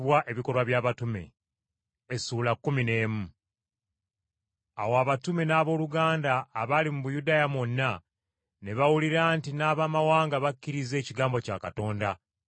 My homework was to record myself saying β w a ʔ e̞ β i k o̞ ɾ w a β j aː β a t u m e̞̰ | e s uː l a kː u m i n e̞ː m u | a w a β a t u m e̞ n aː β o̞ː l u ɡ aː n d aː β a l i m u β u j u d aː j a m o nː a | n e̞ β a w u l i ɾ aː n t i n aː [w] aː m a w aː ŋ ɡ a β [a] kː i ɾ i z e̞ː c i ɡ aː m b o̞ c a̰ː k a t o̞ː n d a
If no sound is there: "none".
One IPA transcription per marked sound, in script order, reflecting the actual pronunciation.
β, a

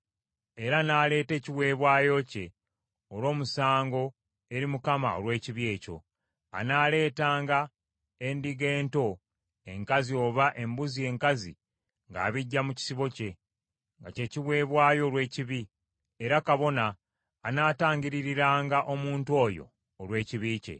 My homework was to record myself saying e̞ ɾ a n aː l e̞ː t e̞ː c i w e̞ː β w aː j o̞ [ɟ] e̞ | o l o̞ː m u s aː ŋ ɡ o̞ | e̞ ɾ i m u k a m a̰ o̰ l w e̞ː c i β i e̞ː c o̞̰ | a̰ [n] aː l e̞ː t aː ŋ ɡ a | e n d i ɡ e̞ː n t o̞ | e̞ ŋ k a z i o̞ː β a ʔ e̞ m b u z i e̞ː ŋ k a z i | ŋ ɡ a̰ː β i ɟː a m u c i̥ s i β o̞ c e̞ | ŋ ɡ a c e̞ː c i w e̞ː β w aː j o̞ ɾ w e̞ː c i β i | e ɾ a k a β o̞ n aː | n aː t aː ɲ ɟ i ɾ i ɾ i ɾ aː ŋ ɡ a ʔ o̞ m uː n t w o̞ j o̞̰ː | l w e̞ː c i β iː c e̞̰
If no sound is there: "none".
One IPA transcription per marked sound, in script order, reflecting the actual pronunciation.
c, n

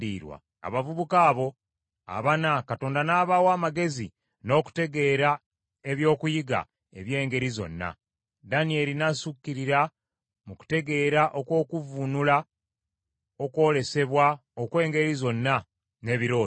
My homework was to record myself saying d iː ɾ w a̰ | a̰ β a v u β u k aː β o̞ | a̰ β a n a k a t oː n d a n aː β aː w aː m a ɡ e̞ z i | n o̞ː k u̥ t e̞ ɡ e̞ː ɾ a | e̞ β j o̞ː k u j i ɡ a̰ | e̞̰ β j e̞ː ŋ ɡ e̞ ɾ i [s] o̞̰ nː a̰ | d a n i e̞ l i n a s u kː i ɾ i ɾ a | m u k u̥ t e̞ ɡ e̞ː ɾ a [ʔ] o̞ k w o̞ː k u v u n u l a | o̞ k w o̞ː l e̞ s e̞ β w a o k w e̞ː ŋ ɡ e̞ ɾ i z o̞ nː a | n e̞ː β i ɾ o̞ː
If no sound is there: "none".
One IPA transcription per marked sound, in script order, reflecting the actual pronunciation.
z, ʔ

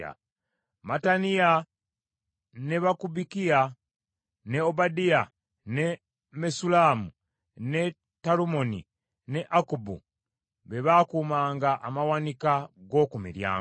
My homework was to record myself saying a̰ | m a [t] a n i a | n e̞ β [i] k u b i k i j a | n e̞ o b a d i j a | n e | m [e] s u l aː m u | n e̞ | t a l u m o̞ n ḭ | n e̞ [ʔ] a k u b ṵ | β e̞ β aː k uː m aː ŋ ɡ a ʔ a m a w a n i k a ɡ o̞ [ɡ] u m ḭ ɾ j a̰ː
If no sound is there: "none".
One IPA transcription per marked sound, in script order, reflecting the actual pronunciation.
t, a, e, ʔ, k

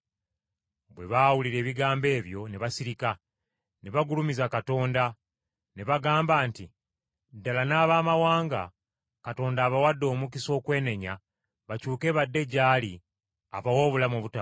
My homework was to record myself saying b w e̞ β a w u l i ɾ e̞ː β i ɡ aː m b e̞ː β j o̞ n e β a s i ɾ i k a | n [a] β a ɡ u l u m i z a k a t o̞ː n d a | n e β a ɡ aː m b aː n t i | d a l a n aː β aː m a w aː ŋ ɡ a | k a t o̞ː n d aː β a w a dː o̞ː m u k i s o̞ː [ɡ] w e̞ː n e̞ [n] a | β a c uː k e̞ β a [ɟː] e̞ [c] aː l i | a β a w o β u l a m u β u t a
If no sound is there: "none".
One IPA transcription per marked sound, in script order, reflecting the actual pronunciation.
e, k, ɲ, dː, ɟ

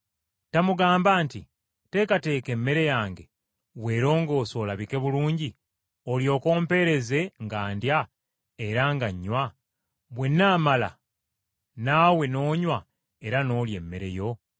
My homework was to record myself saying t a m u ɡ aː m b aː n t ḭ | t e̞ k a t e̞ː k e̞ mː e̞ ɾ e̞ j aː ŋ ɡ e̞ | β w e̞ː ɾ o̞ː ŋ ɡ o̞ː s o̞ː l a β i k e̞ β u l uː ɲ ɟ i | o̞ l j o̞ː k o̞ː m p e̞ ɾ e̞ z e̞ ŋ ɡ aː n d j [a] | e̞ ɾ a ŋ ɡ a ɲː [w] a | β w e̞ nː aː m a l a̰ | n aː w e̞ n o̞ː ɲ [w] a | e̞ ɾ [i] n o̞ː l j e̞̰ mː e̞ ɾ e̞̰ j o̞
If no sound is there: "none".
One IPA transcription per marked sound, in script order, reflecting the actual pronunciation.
a, w, w, a

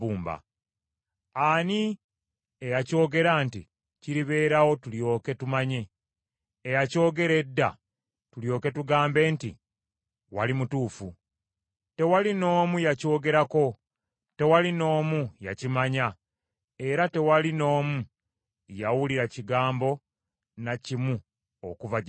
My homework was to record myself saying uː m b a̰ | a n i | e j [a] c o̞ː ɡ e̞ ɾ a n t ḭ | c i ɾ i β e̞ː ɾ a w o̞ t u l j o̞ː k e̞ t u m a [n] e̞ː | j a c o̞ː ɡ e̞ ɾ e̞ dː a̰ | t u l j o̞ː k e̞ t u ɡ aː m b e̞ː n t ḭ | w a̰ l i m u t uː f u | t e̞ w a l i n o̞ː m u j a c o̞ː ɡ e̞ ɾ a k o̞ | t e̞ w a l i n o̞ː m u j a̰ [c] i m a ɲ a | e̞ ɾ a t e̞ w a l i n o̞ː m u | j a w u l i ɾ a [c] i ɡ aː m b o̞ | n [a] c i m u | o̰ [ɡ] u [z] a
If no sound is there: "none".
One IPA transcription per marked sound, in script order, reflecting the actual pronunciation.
a, ɲ, c, c, a, k, v

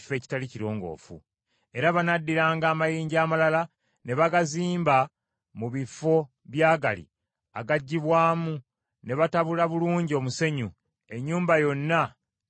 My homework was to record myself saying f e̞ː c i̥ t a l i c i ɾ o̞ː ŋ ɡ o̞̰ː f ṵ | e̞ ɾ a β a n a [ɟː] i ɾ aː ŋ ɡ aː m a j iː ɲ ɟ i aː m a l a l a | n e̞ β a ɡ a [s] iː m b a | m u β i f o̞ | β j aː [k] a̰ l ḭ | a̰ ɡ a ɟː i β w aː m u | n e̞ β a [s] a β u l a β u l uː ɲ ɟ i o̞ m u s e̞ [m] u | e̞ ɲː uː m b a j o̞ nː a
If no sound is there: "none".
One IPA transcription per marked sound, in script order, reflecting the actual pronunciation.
dː, z, ɡ, t, ɲ

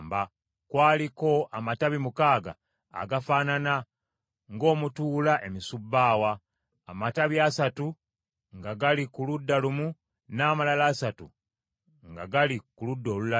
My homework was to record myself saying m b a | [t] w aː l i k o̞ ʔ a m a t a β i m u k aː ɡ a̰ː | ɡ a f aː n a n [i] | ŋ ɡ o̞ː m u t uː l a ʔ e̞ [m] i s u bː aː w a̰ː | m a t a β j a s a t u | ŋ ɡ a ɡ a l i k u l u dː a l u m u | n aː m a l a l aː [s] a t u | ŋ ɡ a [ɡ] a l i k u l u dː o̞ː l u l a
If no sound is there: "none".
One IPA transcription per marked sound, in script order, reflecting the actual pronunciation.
k, a, m, s, ɡ

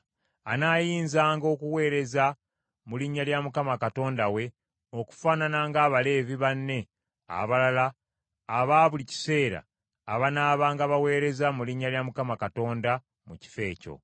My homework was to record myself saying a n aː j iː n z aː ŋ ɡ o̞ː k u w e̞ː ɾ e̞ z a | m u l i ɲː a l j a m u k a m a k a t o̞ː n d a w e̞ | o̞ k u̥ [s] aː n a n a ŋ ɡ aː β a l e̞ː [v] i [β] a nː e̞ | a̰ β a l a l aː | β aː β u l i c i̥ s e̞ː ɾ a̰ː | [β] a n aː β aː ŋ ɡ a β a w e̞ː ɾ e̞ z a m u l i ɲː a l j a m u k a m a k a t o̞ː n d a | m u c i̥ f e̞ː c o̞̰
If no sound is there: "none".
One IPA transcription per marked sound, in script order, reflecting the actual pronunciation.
f, v, β, β

